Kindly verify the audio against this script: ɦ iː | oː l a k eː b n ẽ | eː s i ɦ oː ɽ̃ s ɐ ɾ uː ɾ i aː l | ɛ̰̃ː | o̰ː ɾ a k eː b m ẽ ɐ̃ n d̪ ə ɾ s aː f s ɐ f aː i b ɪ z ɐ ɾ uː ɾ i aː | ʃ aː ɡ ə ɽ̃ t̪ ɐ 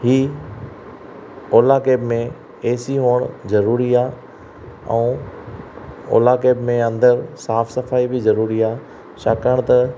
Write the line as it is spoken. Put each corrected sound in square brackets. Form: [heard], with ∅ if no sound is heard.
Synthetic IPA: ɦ iː | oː l a k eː b [m] ẽ | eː s i ɦ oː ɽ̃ [z] ɐ ɾ uː ɾ i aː [∅] | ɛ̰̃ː | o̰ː [l] a k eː b m ẽ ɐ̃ n d̪ ə ɾ s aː f s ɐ f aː i b ɪ z ɐ ɾ uː ɾ i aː | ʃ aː [k] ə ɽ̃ t̪ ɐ

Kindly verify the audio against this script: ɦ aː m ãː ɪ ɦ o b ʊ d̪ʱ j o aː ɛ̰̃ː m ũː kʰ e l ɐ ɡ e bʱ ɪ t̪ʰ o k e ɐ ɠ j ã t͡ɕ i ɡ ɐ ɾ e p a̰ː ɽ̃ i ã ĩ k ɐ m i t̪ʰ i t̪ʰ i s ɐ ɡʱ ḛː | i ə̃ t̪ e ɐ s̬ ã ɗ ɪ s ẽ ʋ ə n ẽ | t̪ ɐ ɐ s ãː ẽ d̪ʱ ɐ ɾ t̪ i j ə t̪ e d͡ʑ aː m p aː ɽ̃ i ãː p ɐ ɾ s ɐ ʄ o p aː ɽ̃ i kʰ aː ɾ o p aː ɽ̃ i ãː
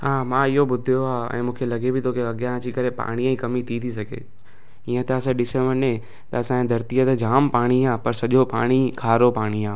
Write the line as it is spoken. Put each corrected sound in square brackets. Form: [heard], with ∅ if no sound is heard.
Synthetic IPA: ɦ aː m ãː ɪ ɦ o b ʊ d̪ʱ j o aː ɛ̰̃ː m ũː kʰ e l ɐ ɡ e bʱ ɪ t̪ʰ o k e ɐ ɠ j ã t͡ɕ i [k] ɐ ɾ e p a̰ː ɽ̃ i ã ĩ k ɐ m i t̪ʰ i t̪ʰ i s ɐ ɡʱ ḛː | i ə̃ t̪ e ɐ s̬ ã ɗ ɪ s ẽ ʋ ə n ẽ | t̪ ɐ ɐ s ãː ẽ d̪ʱ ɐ ɾ t̪ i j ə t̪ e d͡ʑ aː m p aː ɽ̃ i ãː p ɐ ɾ s ɐ ʄ o p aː ɽ̃ i kʰ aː ɾ o p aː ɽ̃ i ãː

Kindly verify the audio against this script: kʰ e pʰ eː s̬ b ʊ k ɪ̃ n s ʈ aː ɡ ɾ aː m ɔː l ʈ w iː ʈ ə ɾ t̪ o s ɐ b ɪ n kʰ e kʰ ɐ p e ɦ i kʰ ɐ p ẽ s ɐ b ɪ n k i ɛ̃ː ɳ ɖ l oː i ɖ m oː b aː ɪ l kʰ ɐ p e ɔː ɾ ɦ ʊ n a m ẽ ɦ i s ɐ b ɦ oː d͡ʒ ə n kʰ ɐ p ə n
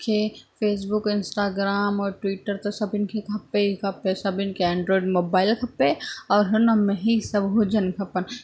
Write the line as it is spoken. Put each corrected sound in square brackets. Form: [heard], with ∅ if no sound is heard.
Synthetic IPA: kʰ e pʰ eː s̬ b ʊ k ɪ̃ n s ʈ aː ɡ ɾ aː m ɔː [ɾ] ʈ w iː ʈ ə ɾ t̪ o s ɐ b ɪ n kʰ e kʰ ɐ p e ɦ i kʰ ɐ p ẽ s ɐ b ɪ n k [e] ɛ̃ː ɳ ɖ [ɾ] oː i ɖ m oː b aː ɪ l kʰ ɐ p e ɔː ɾ ɦ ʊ n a m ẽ ɦ i s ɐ b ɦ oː d͡ʒ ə n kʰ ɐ p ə n

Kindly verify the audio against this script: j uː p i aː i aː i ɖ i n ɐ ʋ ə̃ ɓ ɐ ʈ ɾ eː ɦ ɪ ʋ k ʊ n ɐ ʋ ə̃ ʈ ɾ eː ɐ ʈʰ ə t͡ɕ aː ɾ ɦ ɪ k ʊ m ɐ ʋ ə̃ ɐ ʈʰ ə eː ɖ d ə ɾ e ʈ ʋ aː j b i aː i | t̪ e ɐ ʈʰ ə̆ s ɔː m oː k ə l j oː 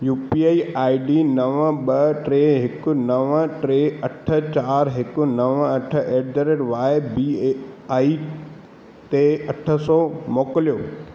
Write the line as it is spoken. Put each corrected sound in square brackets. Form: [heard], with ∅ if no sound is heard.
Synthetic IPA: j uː p i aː i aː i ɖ i n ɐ ʋ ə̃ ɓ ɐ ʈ ɾ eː ɦ ɪ [∅] k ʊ n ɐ ʋ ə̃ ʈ ɾ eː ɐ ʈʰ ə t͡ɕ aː ɾ ɦ ɪ k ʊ [n] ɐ ʋ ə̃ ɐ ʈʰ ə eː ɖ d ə ɾ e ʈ ʋ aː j b i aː i | t̪ e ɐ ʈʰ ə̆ s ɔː m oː k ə l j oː

